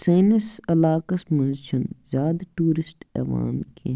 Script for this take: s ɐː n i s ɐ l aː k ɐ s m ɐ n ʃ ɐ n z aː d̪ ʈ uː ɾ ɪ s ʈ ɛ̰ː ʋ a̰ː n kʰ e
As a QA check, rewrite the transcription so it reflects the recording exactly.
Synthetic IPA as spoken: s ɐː n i s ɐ l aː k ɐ s m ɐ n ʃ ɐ n z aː d̪ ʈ uː ɾ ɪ s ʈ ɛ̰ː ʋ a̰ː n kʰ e